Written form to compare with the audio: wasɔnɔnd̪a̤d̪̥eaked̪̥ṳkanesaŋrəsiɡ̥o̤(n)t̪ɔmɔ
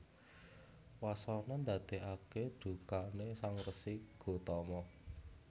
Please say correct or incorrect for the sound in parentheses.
incorrect